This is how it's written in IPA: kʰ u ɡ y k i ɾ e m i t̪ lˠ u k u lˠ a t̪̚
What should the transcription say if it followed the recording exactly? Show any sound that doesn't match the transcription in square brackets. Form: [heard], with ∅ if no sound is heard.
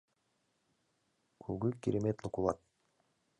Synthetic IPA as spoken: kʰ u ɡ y k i ɾ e m [e] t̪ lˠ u k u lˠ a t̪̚

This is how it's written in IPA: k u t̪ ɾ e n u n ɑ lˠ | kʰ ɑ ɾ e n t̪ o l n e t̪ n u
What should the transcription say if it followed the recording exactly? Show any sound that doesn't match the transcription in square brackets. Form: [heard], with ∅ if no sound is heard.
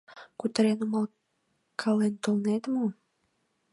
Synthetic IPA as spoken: k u t̪ ɾ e n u [m] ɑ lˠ | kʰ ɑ [l] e n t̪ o l n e t̪ [m] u

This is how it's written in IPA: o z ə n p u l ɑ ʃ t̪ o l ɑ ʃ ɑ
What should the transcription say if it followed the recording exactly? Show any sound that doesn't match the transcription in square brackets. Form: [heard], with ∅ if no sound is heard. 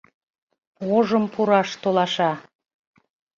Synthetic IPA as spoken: o [ʒ] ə [m] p u [ɾ] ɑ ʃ t̪ o l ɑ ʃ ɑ

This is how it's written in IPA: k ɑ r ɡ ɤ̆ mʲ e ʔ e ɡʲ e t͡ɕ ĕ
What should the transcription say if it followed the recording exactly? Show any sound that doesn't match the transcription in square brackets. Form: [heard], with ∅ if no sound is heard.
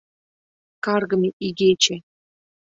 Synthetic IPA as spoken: k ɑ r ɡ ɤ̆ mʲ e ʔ [i] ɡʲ e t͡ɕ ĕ

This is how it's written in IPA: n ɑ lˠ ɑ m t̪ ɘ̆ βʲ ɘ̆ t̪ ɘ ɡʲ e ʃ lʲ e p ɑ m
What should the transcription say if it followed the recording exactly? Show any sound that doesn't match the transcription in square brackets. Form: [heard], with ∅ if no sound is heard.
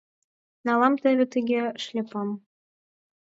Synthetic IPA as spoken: n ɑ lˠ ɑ m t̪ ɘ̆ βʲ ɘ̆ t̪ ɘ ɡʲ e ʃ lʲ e p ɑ m

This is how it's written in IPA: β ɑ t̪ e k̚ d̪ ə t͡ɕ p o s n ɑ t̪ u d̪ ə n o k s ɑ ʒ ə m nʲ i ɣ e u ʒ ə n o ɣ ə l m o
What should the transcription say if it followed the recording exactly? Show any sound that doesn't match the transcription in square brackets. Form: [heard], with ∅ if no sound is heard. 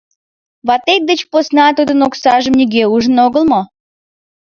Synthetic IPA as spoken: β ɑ t̪ e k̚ d̪ ə t͡ɕ p o s n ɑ t̪ u d̪ ə n o k s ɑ ʒ ə m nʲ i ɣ e u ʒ ə n o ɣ ə l m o

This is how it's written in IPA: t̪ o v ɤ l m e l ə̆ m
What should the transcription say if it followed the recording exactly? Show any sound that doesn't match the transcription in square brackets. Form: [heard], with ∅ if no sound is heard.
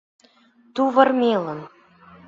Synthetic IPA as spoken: t̪ [u] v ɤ [r] m e l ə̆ [n]

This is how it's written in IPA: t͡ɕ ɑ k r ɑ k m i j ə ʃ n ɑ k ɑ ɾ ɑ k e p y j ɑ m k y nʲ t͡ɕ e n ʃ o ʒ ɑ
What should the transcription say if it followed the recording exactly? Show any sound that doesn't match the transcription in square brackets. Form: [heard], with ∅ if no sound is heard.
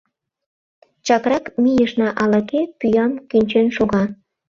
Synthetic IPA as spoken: t͡ɕ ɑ k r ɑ k m i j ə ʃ n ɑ [ʔ] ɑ [l] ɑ k e p y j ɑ m k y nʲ t͡ɕ e n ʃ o [ɣ] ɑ

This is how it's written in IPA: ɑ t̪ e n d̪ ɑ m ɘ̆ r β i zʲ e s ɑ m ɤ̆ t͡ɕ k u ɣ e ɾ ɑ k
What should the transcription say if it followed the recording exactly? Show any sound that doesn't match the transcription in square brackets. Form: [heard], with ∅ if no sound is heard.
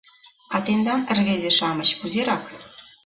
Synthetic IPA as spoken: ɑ t̪ e n d̪ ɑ [n] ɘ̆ r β [e] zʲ e [ʃ] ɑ m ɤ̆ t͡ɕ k u [z] e ɾ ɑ k

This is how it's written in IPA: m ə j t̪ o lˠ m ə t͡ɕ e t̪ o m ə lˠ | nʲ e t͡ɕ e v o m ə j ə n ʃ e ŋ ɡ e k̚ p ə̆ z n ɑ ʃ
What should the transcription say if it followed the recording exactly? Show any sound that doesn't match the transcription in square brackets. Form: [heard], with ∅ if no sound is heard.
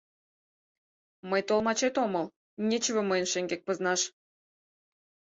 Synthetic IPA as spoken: m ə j t̪ o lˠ m [ɑ] t͡ɕ e t̪ o m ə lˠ | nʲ e t͡ɕ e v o m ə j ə n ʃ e ŋ ɡ e k̚ p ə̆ z n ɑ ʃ

